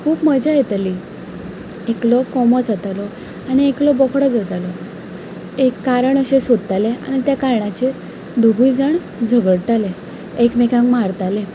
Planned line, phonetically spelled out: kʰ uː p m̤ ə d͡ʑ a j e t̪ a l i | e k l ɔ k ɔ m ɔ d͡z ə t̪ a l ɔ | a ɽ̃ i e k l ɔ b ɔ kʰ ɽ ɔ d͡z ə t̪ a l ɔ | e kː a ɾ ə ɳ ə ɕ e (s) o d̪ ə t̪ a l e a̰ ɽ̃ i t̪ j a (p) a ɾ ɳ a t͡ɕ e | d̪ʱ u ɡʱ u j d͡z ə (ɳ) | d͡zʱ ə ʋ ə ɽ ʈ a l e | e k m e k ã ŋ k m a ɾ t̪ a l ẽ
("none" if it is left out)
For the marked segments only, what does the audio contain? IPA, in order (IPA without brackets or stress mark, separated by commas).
s, k, ɳ